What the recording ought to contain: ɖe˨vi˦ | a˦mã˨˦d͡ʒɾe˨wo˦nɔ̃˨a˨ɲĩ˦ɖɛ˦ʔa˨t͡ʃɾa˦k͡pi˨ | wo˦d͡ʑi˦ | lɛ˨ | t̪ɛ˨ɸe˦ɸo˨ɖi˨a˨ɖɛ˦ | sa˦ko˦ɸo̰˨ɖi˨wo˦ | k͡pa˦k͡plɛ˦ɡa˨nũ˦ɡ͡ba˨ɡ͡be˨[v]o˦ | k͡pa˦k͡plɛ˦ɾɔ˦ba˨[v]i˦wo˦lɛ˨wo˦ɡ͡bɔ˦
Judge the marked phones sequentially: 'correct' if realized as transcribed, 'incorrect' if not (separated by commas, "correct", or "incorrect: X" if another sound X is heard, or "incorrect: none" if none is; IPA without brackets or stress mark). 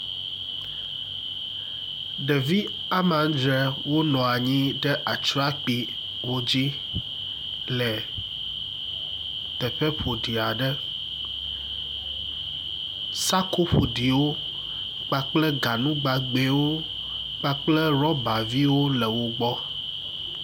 incorrect: w, correct